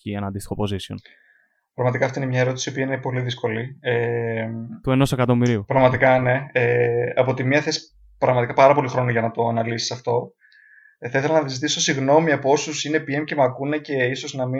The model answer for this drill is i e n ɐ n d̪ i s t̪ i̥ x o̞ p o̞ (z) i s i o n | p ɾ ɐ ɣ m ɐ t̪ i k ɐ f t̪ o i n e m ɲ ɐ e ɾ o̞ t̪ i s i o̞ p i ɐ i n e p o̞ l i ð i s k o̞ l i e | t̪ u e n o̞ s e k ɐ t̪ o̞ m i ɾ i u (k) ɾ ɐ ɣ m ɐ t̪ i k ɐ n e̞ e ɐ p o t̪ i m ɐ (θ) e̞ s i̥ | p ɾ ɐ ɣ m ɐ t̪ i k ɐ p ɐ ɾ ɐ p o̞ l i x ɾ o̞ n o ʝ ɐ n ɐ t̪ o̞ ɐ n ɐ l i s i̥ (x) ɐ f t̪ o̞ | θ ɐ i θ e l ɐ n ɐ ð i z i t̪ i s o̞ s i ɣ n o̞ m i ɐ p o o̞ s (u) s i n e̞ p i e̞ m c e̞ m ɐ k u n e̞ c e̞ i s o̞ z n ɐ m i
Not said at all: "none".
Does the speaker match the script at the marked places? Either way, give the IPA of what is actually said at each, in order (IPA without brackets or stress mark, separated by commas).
z, p, θ, s, u